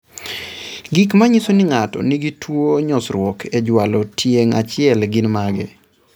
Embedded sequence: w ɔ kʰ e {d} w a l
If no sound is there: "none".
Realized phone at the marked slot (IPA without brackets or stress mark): d͡ʒ